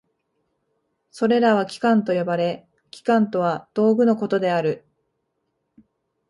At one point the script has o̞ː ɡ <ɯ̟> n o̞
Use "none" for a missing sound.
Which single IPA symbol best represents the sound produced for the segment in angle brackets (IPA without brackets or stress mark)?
ɯ̟